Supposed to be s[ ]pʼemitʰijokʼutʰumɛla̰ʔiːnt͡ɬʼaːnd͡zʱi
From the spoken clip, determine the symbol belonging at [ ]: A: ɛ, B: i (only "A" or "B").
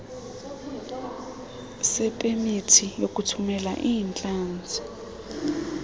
A